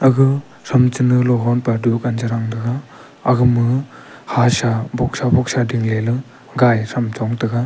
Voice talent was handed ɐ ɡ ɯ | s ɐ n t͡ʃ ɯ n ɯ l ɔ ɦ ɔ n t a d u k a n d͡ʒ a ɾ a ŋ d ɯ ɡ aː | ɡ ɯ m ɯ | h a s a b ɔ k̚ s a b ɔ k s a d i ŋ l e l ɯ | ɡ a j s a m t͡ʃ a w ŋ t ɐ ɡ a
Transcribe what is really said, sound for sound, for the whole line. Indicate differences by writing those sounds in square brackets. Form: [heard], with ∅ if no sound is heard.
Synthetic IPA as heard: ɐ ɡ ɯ | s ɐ [m] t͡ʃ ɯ n ɯ l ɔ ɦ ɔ n [p] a d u k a n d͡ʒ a ɾ a ŋ d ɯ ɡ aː | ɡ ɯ m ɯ | h a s a b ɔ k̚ s a b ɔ k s a d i ŋ l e l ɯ | ɡ a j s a m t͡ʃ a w ŋ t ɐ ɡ a